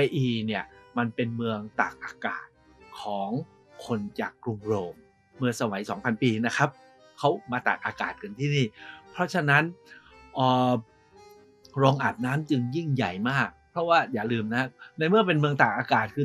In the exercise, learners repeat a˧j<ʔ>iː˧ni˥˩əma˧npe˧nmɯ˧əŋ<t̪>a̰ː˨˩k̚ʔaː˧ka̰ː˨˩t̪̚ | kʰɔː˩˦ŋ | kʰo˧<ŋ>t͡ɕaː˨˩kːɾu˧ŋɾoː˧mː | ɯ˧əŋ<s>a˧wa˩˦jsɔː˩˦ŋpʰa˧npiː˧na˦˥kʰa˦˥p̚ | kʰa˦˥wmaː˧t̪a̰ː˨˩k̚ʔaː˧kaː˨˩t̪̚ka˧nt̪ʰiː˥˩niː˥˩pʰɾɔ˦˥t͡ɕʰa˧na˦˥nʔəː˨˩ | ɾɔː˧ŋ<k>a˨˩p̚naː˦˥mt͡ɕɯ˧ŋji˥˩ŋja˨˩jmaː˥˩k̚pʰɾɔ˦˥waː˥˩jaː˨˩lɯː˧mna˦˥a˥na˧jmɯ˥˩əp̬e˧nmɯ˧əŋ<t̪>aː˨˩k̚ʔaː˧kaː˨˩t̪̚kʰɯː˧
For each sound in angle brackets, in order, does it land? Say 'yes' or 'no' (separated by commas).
yes, yes, no, yes, no, yes